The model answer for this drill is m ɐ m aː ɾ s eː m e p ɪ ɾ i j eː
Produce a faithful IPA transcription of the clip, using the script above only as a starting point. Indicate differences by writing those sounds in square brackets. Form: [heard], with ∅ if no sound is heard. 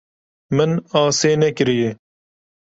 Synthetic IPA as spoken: m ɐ [n] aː [∅] s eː [n] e [k] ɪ ɾ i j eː